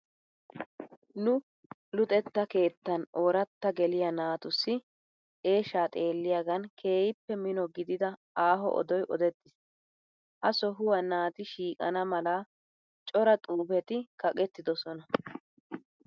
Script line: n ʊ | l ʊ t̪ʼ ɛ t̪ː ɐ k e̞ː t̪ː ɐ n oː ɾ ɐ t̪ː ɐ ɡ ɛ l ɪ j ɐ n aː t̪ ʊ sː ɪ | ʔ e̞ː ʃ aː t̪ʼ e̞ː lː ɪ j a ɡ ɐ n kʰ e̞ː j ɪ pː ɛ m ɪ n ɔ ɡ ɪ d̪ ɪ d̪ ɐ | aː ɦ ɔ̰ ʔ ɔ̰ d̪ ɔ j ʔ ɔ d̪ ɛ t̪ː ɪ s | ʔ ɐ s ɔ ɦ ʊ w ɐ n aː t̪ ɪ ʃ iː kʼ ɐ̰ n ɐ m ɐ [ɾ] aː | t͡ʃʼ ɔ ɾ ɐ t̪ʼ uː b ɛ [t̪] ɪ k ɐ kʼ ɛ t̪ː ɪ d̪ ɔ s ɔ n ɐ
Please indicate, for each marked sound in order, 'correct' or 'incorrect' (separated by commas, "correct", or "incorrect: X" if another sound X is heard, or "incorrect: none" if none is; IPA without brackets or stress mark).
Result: incorrect: l, correct